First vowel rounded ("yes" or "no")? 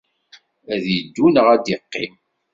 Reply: no